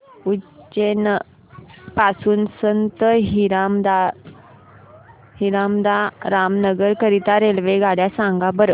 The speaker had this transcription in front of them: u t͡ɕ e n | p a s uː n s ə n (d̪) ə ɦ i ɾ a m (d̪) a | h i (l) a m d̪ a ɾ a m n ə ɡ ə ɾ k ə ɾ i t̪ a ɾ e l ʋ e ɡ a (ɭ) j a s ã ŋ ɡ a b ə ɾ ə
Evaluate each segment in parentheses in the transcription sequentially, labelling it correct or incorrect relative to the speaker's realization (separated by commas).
incorrect, correct, incorrect, incorrect